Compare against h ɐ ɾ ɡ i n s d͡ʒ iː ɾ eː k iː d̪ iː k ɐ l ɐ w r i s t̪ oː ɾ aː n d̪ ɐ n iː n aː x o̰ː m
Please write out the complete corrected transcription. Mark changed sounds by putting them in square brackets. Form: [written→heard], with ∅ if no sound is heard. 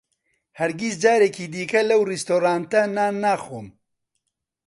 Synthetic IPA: h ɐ ɾ ɡ i [n→∅] s d͡ʒ [iː→aː] ɾ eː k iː d̪ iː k ɐ l ɐ w r i s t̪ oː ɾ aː n [d̪→t̪] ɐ n [iː→aː] n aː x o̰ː m

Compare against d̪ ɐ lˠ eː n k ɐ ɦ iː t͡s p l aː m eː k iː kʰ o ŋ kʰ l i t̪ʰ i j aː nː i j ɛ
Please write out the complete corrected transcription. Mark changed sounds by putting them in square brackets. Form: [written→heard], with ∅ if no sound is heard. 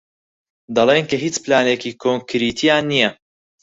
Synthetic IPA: d̪ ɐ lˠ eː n k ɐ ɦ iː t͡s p l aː [m→n] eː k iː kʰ o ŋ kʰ [l→ɾ] i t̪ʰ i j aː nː i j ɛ

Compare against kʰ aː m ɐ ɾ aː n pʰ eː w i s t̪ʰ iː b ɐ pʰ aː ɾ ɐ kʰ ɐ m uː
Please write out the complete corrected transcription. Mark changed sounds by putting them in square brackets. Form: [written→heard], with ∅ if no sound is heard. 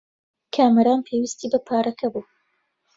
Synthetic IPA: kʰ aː m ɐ ɾ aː n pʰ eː w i s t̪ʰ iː b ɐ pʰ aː ɾ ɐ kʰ ɐ [m→b] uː

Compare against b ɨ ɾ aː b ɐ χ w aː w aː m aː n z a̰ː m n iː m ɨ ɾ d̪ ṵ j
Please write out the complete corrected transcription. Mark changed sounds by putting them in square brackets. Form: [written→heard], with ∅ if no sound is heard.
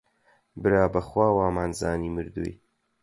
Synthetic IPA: b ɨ ɾ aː b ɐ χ w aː w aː m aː n z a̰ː [m→∅] n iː m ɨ ɾ d̪ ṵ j

